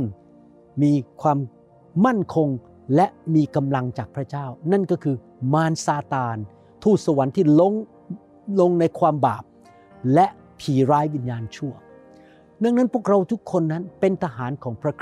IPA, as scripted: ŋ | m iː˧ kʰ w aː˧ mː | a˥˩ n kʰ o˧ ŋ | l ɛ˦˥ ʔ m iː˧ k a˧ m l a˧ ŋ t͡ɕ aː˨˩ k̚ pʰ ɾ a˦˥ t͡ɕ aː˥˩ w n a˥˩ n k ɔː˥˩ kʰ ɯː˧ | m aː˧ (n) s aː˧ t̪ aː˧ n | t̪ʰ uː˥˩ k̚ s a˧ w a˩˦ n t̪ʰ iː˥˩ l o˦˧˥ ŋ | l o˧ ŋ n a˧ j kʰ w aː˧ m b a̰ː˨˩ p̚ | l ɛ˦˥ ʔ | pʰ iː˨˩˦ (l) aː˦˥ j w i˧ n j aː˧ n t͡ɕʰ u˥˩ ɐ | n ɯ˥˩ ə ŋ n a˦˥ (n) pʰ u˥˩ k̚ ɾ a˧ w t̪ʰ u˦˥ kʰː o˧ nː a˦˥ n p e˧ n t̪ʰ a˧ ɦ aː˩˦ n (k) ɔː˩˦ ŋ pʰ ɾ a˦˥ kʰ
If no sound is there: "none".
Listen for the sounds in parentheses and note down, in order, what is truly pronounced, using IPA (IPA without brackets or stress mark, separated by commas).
n, ɾ, n, kʰ